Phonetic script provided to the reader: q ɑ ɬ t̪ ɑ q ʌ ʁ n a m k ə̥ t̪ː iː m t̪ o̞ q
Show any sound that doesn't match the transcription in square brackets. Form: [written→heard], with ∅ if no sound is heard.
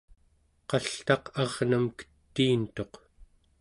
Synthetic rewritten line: q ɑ ɬ t̪ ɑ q [ʌ→ɑ] ʁ n a m k ə̥ t̪ː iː [m→n] t̪ o̞ q